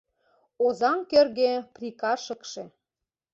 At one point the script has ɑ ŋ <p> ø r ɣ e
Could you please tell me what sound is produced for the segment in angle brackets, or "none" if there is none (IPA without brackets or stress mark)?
k